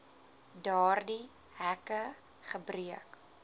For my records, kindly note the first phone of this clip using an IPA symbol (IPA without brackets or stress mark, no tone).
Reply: d